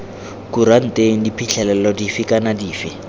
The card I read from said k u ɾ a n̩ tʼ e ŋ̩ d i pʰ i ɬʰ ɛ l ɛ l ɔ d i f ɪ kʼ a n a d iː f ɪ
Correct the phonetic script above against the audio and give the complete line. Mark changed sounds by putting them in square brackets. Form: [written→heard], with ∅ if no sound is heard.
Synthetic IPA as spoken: k u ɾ a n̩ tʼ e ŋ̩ d i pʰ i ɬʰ ɛ l ɛ l ɔ d i f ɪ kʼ a n a d iː f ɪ